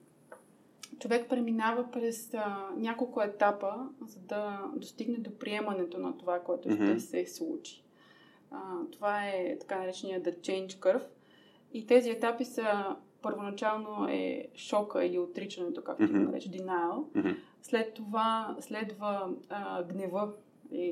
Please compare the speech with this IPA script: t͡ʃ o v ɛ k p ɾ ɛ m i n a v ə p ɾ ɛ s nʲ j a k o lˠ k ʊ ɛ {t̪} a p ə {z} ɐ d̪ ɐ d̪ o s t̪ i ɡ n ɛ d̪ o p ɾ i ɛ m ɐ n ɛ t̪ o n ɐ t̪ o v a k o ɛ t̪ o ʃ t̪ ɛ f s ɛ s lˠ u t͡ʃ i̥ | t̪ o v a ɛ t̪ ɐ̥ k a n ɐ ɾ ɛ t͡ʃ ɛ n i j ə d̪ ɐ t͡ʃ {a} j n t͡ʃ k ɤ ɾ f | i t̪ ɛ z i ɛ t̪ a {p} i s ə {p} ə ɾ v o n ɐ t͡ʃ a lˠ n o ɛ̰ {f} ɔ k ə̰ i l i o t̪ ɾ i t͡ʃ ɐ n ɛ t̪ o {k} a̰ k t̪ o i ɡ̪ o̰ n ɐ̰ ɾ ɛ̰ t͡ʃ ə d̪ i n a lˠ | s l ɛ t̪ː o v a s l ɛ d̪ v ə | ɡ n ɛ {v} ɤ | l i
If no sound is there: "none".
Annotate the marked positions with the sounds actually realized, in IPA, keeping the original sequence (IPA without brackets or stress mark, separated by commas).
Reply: t̪, z, ɛ, p, p, ʃ, k, v